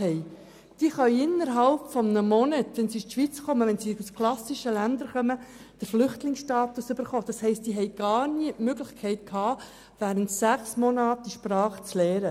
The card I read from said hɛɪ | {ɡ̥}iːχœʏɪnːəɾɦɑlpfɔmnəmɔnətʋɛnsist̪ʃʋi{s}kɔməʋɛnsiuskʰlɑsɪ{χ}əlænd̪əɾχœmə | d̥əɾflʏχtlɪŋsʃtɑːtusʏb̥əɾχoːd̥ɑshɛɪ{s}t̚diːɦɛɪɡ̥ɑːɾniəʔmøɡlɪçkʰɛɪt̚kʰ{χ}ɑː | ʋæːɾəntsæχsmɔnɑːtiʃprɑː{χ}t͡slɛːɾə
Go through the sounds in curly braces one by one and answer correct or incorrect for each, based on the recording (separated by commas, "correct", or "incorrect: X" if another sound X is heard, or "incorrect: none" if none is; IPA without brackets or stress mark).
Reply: incorrect: d̥, incorrect: t͡s, incorrect: ʃ, correct, incorrect: h, correct